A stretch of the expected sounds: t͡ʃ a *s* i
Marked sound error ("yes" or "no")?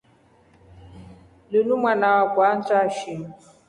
yes